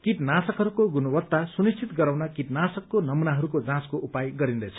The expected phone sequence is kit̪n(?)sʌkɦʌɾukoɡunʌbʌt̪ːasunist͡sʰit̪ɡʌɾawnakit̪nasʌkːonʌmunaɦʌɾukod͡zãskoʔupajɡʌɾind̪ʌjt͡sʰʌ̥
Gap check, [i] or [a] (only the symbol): a